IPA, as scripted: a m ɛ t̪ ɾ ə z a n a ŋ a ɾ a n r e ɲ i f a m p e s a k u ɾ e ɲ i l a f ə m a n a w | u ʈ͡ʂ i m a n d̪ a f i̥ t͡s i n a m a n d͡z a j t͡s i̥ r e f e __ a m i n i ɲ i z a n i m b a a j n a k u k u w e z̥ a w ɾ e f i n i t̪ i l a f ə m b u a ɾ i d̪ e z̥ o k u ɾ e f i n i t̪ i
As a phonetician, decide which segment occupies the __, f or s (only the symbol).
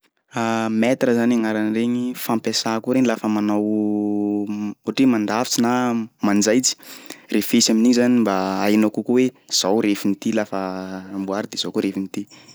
s